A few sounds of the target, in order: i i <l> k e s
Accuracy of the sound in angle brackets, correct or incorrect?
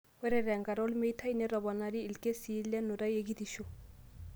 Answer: correct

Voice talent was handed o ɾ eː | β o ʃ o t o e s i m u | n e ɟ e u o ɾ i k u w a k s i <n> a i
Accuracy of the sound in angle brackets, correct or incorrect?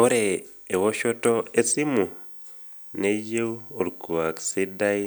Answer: incorrect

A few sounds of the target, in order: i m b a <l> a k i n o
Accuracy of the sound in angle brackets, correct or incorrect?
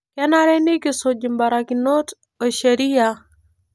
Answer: incorrect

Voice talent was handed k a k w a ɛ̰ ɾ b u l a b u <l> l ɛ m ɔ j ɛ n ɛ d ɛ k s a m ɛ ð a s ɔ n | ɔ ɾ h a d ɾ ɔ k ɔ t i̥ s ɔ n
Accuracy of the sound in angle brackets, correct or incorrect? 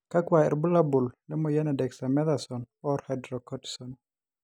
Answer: correct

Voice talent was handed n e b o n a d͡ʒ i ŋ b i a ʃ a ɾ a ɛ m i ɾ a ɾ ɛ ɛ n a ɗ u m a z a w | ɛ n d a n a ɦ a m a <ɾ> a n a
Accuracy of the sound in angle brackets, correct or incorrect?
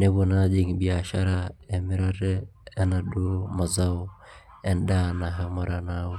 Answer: correct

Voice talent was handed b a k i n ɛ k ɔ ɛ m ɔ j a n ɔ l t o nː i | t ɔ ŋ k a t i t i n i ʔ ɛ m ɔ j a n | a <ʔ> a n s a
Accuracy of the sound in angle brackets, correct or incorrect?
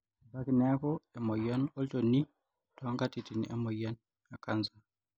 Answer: incorrect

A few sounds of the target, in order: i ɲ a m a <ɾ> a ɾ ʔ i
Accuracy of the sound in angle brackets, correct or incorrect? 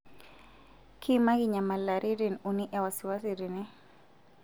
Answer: incorrect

